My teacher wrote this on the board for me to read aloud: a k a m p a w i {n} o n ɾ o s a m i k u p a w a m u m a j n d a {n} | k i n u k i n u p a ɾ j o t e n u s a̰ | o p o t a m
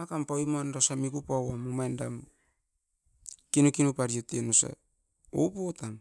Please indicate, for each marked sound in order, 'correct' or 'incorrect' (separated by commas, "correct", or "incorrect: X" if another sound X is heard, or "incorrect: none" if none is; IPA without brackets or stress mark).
incorrect: m, incorrect: m